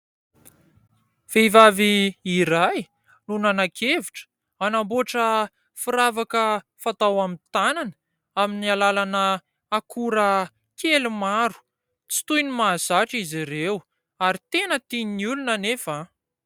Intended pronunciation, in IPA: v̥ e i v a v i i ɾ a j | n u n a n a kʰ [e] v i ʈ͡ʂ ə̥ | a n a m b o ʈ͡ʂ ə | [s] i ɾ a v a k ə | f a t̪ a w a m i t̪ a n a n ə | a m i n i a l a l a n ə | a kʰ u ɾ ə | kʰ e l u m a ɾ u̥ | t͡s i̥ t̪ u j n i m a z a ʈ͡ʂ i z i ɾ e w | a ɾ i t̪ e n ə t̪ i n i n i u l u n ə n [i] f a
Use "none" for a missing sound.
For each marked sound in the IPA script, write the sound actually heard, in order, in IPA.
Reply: e, f, e

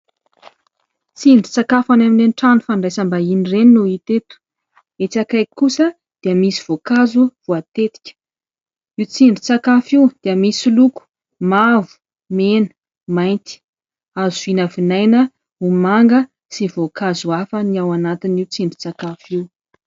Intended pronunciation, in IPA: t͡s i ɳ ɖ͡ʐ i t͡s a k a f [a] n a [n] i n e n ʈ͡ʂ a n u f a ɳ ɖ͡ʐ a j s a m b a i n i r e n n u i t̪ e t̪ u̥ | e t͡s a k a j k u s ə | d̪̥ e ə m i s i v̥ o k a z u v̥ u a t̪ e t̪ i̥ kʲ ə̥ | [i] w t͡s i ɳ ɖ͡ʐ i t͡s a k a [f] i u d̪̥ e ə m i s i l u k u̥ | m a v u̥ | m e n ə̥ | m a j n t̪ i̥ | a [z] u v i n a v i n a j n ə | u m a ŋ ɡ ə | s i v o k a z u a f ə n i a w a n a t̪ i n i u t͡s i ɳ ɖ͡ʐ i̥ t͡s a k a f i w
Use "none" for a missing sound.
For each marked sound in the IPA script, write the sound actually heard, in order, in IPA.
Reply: a, m, i, f, z

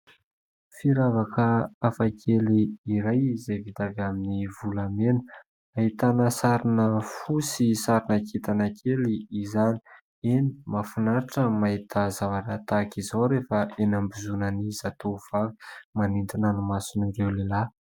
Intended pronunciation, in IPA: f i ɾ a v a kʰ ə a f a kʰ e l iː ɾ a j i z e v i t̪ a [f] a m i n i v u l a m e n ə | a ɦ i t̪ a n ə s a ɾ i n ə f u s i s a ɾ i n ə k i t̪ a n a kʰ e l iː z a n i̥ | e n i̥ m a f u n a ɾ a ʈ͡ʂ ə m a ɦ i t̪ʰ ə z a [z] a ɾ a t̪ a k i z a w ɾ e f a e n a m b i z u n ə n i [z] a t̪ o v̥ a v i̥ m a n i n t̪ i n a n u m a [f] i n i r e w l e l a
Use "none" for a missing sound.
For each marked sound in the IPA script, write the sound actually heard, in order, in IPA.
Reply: v, v, z, s

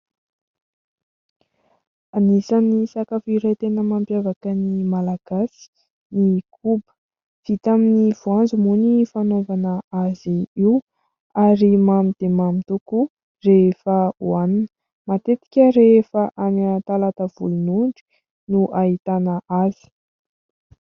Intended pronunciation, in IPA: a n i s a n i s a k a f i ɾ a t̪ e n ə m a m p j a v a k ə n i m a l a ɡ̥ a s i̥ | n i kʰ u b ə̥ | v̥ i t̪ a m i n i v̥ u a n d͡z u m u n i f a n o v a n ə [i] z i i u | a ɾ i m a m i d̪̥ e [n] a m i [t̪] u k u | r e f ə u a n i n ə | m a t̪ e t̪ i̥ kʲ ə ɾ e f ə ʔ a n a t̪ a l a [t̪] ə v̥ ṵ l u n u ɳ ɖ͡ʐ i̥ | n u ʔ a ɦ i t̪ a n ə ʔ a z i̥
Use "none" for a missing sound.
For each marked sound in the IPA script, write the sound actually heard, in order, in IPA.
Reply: a, m, t̪, t̪

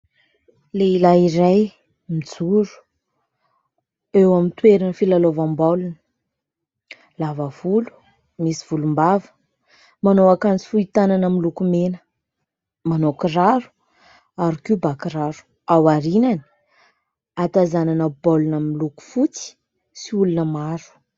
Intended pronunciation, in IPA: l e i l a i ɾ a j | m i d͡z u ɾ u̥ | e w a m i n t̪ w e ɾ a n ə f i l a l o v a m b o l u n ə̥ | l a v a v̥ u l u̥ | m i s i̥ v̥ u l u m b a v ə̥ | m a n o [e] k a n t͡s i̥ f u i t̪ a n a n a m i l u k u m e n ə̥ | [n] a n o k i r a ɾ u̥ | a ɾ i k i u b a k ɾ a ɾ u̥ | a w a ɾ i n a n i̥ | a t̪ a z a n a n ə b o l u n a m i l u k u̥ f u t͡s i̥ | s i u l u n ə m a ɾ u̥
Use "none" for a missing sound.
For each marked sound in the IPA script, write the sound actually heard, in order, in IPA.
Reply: a, m

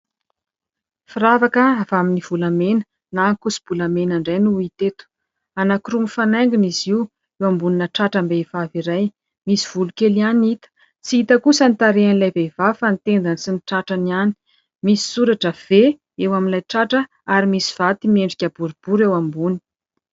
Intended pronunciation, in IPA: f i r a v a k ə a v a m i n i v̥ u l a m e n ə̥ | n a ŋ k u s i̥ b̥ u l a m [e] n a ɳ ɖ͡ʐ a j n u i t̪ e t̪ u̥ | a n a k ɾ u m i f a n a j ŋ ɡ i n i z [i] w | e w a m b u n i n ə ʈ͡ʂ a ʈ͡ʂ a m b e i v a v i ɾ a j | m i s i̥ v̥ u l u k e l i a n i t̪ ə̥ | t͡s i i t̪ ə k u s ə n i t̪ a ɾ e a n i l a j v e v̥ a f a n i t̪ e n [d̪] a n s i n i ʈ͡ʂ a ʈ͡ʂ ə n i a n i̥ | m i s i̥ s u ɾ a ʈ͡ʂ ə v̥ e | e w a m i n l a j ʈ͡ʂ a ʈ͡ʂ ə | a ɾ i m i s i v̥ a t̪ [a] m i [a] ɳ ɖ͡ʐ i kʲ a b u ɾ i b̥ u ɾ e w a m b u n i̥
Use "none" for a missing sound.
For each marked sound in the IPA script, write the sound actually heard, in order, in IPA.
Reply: e, i, d̪, i, e

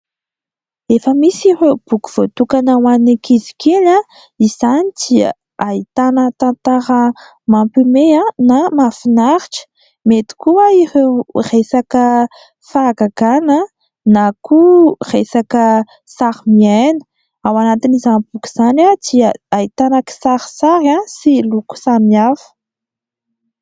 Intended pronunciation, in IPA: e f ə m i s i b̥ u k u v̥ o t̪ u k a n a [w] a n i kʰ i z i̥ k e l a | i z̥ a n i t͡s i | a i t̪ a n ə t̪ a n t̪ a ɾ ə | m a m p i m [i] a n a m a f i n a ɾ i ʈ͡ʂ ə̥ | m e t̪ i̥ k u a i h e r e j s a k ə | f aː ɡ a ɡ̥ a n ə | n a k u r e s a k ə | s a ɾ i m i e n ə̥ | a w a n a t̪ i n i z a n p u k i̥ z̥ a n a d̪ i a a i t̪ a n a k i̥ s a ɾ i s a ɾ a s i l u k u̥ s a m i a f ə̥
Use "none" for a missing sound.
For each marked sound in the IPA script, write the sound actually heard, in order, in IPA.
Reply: w, e

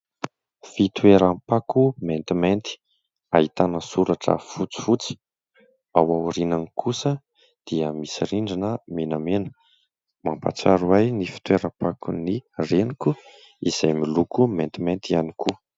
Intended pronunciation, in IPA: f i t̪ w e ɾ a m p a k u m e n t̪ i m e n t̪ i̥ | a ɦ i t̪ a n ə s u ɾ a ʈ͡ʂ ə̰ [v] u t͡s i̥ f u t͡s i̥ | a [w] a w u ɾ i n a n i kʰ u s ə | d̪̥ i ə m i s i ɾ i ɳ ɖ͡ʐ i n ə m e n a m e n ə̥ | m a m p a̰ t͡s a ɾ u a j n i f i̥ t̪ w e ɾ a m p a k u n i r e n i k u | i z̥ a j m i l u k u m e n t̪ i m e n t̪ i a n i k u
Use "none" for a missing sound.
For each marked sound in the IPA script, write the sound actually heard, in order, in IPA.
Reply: f, w

